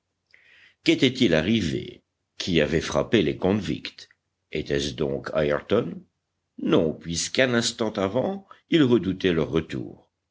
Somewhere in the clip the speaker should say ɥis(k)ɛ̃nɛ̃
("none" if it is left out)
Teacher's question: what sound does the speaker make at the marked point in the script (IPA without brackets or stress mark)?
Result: k